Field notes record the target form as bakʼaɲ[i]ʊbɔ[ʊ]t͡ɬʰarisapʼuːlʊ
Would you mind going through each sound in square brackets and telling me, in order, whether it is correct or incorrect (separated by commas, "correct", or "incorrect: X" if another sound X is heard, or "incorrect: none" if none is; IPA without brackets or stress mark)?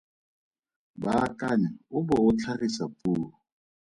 incorrect: a, correct